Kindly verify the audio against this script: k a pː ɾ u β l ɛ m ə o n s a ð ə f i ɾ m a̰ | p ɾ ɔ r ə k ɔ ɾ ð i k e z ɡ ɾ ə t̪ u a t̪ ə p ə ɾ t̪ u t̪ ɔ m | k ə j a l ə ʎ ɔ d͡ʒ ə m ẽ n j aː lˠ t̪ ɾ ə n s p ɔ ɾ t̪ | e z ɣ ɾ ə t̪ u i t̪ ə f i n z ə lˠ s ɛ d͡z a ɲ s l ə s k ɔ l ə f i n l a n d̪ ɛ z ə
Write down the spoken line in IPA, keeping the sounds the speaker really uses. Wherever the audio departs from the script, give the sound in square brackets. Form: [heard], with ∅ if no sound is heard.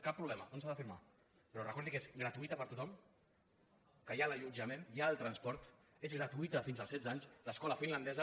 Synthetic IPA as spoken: k a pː ɾ u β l ɛ m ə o n s a ð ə f i ɾ m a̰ | p ɾ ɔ r ə k ɔ ɾ ð i k e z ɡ ɾ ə t̪ u [i] t̪ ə p ə ɾ t̪ u t̪ ɔ m | k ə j a l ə ʎ [u] d͡ʒ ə m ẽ n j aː lˠ t̪ ɾ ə n s p ɔ ɾ t̪ | e z ɣ ɾ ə t̪ u i t̪ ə f i n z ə lˠ s ɛ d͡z a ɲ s l ə s k ɔ l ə f i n l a n d̪ ɛ z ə